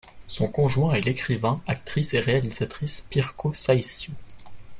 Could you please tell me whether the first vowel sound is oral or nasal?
nasal